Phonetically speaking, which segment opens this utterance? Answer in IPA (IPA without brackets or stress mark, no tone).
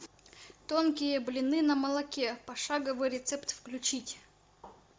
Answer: t̪